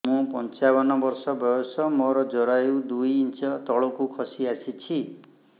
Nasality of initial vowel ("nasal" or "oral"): nasal